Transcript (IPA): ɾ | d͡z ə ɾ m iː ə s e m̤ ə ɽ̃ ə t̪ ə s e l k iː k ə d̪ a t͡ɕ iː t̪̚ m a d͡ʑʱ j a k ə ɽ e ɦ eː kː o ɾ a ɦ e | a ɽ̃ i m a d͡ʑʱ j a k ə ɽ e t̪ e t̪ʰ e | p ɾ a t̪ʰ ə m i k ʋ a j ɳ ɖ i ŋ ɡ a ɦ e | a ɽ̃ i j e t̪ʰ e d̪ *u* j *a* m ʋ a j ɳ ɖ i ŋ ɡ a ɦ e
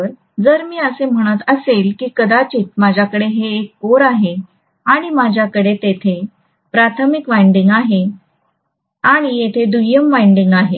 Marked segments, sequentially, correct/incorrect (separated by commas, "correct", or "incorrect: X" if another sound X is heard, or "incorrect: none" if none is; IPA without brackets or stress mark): correct, incorrect: ə